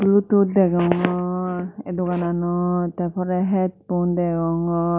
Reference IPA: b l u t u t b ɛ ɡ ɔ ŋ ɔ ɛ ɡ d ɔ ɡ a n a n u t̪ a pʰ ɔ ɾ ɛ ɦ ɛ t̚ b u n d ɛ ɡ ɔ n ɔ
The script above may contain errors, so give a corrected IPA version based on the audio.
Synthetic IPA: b l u t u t d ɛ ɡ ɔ ŋ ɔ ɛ d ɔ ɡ a n a n ɔ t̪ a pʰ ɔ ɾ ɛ ɦ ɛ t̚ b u n d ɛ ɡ ɔ ŋ ɔ

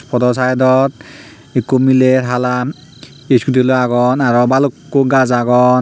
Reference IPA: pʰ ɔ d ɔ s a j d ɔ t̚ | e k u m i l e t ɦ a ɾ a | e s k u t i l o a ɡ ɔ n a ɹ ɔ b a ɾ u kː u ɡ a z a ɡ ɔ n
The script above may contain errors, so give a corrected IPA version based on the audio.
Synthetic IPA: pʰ ɔ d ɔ s a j d ɔ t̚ | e k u m i l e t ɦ a l a | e s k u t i l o a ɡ ɔ n a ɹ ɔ b a l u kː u ɡ a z a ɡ ɔ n

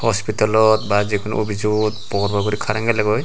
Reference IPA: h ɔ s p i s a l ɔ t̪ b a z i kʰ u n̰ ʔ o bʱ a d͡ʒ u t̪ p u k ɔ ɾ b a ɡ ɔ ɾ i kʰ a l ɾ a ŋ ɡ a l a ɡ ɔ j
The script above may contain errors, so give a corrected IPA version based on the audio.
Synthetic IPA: h ɔ s p i t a l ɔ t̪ b a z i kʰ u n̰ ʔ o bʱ i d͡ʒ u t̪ p ɔ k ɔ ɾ b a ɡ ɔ ɾ i kʰ a ɾ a ŋ ɡ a l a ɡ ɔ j

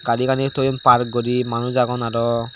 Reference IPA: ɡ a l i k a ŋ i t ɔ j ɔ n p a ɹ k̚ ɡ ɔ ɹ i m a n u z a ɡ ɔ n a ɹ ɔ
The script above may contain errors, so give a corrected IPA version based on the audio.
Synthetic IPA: ɡ a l i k a n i t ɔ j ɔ n p a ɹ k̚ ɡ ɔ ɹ i m a n u z a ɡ ɔ n a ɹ ɔ

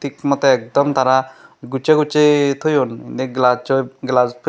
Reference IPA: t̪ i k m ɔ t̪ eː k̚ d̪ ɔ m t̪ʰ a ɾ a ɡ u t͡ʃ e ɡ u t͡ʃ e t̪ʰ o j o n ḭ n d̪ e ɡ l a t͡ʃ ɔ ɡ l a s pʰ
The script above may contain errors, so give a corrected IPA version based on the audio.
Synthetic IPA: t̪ i k m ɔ t̪ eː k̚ d̪ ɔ m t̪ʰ a ɾ a ɡ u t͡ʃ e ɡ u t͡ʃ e t̪ʰ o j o n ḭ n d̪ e ɡ l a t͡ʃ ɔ ɡ l a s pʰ

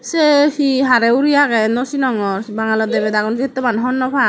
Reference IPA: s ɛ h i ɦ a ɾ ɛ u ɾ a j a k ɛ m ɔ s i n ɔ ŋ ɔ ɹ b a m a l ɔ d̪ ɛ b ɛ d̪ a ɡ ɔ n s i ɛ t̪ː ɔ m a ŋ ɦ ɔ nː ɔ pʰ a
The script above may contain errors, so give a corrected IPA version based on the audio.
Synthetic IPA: s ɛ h i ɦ a ɾ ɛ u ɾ i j a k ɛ n ɔ s i n ɔ ŋ ɔ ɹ b a ŋ a l ɔ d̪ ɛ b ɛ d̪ a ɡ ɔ n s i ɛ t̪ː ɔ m a n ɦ ɔ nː ɔ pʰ a

